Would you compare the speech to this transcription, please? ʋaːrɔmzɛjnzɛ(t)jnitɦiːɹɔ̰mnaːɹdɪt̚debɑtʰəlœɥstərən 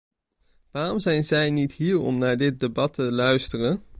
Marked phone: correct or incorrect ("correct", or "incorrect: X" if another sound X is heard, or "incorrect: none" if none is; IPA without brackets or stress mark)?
incorrect: none